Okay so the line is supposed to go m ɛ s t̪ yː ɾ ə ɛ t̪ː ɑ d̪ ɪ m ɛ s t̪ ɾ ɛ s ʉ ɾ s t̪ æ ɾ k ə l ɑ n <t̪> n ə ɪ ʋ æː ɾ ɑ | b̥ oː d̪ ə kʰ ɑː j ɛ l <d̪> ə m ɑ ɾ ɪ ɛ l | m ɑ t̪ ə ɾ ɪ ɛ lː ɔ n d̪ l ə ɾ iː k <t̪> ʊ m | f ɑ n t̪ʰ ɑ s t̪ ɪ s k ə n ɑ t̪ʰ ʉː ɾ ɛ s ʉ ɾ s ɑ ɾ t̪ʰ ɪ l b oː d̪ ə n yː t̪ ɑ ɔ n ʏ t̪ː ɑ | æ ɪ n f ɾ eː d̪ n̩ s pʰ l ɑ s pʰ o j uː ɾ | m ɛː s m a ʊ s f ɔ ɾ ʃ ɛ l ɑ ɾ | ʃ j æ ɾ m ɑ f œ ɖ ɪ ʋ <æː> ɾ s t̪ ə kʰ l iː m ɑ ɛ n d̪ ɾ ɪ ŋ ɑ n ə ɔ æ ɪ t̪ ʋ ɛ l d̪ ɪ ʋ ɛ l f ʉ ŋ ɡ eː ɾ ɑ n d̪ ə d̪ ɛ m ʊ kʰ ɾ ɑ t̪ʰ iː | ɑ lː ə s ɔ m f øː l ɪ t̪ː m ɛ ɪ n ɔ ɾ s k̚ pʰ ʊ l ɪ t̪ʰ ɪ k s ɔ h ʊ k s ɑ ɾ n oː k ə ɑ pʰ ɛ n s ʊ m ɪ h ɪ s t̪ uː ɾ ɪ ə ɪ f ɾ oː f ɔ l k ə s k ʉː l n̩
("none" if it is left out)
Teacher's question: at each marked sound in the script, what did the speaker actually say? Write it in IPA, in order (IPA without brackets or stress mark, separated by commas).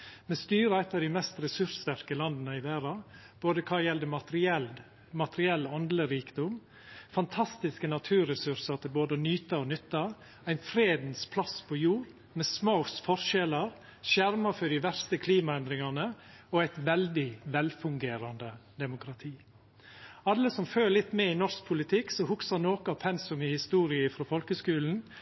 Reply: d̪, d̪, d̪, æ